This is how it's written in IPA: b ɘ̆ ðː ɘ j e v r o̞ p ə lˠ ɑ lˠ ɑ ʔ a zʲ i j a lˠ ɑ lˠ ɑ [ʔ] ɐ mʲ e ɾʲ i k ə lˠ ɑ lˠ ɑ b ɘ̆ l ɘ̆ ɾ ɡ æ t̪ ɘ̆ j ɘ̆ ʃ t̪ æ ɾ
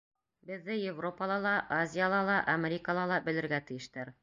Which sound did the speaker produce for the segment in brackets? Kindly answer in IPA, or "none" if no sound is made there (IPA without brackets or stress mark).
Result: ʔ